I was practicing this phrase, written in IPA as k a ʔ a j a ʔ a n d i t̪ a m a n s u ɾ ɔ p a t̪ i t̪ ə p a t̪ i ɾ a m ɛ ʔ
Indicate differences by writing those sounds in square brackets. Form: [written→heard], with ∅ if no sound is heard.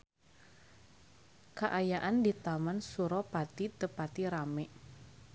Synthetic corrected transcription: k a ʔ a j a ʔ a n d i t̪ a m a n s u ɾ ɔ p a t̪ i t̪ ə p a t̪ i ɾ a m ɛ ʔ

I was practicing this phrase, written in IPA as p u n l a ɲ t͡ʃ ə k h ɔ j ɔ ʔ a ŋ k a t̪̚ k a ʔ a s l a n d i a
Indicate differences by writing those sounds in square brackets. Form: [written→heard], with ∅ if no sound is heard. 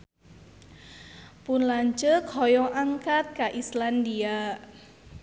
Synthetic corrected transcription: p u n l a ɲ t͡ʃ ə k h ɔ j ɔ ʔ a ŋ k a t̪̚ k a ʔ [a→i] s l a n d i a

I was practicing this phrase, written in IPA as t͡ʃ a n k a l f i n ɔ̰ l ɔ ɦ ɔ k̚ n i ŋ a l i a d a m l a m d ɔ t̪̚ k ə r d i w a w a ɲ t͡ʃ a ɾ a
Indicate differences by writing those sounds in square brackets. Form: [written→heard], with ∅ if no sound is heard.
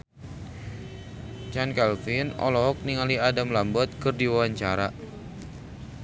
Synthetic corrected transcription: t͡ʃ a n k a l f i n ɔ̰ l ɔ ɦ ɔ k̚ n i ŋ a l i a d a m l a m [d→b] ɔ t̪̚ k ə r d i w a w a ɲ t͡ʃ a ɾ a

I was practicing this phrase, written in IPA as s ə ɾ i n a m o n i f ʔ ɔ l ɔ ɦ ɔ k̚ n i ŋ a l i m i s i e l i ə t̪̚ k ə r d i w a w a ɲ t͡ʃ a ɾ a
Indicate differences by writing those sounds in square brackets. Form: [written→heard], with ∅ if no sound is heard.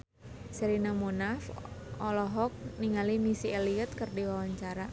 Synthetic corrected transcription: s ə ɾ i n a m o n [i→a] f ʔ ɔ l ɔ ɦ ɔ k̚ n i ŋ a l i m i s i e l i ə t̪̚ k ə r d i w a w a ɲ t͡ʃ a ɾ a

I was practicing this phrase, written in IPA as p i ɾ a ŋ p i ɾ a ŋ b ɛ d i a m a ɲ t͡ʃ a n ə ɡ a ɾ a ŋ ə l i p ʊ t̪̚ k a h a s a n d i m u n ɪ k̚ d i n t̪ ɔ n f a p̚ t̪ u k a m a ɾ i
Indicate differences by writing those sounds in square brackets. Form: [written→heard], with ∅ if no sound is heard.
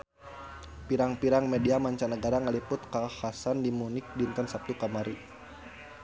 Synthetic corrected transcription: p i ɾ a ŋ p i ɾ a ŋ [b→m] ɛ d i a m a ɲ t͡ʃ a n ə ɡ a ɾ a ŋ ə l i p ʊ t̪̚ k a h a s a n d i m u n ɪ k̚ d i n t̪ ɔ n [f→s] a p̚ t̪ u k a m a ɾ i

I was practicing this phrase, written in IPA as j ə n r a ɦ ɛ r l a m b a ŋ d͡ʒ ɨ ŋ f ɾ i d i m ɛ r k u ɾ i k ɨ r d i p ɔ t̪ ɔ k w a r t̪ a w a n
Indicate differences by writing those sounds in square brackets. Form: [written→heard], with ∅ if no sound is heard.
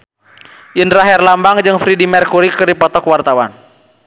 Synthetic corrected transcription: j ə n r a ɦ ɛ r l a m b a ŋ d͡ʒ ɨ ŋ f ɾ i d i m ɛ r k u ɾ i k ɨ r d i p ɔ t̪ ɔ k w a r t̪ a w a n

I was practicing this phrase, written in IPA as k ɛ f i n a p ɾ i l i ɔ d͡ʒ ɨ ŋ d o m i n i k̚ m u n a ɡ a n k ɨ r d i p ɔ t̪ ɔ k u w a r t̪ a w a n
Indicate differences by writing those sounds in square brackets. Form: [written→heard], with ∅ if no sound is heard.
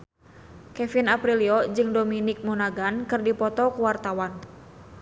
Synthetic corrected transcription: k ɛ f i n a p ɾ i l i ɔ d͡ʒ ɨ ŋ d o m i n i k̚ m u n a ɡ a n k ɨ r d i p ɔ t̪ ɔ k u w a r t̪ a w a n

